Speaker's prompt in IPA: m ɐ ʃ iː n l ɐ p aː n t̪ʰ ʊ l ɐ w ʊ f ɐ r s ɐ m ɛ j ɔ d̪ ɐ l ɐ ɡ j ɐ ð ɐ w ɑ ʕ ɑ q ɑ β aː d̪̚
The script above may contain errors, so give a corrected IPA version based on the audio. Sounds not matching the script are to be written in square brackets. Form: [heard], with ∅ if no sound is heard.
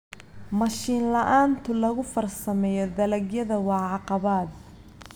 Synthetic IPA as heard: m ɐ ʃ iː n l ɐ [ʔ] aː n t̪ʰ ʊ l ɐ [ɣ] ʊ f ɐ r s ɐ m ɛ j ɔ d̪ ɐ l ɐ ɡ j ɐ ð ɐ w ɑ ʕ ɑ q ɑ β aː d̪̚